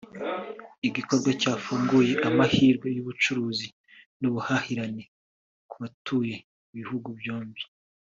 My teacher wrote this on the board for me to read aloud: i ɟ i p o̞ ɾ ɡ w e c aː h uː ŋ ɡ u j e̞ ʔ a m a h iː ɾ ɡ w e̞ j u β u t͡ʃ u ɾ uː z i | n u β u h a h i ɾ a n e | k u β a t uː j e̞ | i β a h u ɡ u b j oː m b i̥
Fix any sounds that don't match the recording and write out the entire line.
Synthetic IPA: i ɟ i k o̞ ɾ ɡ w a c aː f uː ŋ ɡ u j e̞ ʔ a m a h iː ɾ ɡ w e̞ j u β u t͡ʃ u ɾ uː z i | n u β u h a h i ɾ a n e | k u β a t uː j e̞ | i β i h u ɡ u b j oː m b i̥